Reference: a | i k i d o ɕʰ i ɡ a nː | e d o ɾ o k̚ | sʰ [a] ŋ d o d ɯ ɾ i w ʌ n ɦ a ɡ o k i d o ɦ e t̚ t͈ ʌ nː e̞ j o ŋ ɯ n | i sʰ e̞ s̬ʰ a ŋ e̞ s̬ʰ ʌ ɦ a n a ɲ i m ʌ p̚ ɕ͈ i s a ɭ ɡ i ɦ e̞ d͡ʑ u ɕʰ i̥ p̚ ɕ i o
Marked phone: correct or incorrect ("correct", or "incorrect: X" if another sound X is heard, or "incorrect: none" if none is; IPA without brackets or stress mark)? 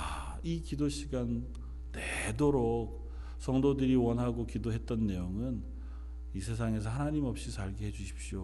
incorrect: ʌ